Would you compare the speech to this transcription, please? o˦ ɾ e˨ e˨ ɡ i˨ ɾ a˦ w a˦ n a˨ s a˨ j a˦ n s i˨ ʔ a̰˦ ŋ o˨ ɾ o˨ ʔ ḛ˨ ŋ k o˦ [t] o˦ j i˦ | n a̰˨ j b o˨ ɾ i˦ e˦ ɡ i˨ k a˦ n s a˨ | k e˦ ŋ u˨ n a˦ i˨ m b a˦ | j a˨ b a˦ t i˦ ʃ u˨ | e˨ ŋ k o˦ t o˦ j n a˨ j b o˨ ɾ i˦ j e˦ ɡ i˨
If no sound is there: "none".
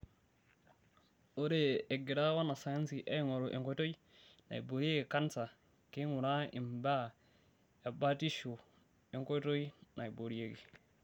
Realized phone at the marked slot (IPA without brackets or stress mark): t